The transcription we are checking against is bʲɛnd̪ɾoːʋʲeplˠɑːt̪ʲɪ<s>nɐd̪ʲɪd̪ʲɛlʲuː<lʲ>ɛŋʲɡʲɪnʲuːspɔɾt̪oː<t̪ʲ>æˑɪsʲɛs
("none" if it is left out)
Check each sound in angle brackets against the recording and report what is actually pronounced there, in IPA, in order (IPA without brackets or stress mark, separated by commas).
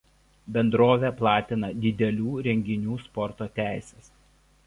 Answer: none, ɾʲ, t̪ʲ